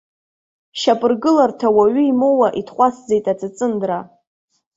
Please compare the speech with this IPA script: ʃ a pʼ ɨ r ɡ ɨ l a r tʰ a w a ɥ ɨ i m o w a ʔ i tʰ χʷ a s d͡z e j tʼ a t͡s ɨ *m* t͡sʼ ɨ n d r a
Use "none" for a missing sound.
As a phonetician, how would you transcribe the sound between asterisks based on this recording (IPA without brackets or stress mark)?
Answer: none